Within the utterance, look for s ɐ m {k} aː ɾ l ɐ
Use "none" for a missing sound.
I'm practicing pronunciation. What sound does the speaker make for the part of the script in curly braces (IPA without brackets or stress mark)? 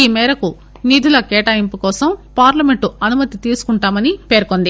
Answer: p